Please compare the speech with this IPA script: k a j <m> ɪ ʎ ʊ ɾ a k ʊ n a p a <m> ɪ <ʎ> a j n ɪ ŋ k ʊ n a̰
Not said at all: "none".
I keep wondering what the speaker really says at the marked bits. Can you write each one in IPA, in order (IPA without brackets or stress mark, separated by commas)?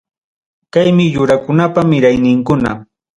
m, m, ɾ